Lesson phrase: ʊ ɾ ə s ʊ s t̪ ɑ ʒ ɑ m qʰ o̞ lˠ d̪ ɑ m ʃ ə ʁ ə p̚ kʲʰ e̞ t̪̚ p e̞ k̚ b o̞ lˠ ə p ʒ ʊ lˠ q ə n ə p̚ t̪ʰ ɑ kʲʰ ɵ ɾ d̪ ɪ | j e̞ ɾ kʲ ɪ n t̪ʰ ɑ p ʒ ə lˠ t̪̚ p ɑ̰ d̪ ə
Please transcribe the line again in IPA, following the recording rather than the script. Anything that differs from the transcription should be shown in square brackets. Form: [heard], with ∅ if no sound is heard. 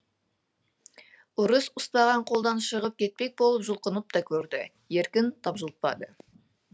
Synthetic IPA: ʊ ɾ ə s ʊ s t̪ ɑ [ʁ] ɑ [ɴ] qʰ o̞ lˠ d̪ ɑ [n] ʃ ə ʁ ə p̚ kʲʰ e̞ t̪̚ p e̞ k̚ b o̞ lˠ ə p ʒ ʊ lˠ q ə n ə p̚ [t̪] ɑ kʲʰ ɵ ɾ d̪ ɪ | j e̞ ɾ kʲ ɪ n t̪ʰ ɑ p ʒ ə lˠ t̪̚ p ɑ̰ d̪ ə